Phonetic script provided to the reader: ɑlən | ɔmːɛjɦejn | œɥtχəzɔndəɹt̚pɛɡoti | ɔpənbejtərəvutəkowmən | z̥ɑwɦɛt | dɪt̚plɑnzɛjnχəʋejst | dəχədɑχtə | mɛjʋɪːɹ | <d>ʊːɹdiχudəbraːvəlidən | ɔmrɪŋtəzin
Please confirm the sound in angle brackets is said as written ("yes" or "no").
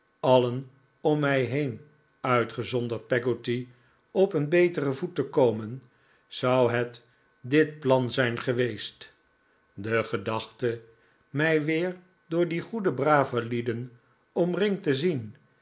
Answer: yes